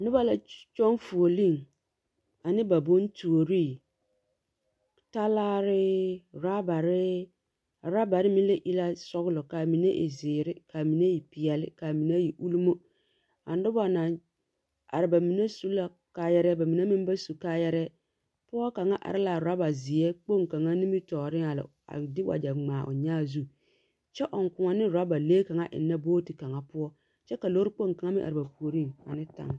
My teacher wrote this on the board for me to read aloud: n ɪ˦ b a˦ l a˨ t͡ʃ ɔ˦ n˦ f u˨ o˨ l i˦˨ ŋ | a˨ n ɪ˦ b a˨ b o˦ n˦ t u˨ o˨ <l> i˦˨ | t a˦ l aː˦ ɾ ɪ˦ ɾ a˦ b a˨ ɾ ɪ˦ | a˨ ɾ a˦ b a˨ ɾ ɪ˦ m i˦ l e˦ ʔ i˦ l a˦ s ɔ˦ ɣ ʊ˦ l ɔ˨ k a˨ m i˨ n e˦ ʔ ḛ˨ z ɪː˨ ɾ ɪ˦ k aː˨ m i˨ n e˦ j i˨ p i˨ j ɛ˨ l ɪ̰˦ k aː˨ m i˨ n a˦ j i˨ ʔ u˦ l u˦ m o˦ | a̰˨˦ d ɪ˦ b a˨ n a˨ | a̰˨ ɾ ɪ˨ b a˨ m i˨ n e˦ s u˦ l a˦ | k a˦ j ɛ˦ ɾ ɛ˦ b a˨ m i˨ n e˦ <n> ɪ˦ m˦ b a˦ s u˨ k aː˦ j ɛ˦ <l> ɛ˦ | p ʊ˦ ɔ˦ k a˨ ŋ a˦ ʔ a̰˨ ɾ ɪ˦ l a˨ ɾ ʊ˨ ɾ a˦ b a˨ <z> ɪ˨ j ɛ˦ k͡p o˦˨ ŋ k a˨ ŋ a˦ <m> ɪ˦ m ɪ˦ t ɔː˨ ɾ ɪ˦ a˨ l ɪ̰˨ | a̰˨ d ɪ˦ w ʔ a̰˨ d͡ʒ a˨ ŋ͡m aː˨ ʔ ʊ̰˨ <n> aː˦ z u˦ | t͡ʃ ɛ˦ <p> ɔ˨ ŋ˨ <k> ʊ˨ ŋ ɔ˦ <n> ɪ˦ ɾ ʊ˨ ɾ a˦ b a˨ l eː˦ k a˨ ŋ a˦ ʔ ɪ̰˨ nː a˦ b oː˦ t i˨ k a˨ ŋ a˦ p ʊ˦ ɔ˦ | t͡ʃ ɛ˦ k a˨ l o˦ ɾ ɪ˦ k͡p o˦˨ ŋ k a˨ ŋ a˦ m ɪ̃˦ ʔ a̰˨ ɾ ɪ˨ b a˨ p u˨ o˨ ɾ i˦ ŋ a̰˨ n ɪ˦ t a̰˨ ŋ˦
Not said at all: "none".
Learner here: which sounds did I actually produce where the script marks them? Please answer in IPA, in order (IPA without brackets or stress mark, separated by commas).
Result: ɾ, m, ɾ, z, n, ɲ, ʔ, k, n